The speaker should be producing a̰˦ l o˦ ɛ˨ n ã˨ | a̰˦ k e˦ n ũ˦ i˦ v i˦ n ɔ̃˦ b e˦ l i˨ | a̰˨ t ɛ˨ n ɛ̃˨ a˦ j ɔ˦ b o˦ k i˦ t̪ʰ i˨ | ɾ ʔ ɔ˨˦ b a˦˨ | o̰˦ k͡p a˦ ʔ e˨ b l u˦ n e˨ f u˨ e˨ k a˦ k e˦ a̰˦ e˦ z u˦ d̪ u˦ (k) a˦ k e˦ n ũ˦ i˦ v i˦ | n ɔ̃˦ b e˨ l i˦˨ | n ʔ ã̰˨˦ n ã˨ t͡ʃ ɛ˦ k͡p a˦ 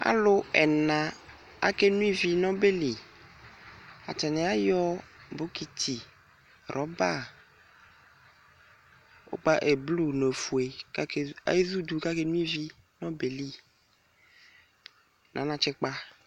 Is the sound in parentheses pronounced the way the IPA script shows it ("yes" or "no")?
yes